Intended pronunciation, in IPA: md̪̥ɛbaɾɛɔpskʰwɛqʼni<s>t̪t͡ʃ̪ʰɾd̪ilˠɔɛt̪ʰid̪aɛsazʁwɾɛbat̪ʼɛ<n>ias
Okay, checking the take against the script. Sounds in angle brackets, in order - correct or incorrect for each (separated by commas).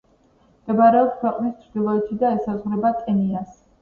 correct, correct